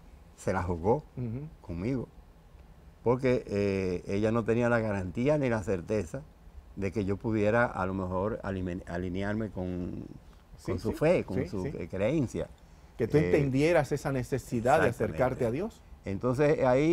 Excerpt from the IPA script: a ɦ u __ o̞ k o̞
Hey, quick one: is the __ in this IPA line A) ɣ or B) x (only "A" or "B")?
A